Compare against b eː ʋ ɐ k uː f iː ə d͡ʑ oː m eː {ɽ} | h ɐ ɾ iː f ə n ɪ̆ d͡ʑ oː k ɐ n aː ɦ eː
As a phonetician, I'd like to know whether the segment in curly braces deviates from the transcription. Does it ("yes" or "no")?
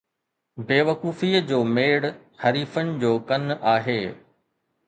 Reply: no